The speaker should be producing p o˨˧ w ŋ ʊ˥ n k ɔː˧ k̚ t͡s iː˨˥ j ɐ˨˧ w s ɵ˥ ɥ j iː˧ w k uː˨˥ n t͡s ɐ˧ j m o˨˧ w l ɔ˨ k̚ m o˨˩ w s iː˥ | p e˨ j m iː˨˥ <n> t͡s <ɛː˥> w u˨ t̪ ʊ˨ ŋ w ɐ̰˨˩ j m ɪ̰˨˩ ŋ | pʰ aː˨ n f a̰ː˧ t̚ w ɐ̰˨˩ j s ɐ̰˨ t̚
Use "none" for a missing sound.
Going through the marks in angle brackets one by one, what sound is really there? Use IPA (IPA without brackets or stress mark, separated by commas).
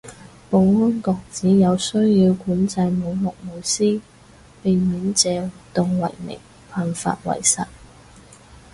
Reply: n, ɛː˨˧